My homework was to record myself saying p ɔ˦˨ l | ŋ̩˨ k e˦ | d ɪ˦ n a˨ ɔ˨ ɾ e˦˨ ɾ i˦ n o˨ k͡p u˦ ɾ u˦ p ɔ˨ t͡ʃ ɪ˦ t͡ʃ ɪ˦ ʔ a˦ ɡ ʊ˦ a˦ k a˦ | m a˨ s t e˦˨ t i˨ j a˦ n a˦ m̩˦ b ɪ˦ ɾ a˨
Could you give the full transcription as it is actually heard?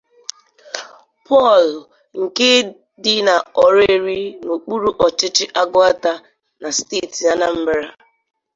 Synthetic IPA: p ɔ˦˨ l | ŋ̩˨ k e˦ | d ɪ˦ n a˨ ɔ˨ ɾ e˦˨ ɾ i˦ n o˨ k͡p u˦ ɾ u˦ ʔ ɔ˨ t͡ʃ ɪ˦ t͡ʃ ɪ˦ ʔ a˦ ɡ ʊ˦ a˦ t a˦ | n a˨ s t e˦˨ t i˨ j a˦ n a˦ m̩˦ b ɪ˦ ɾ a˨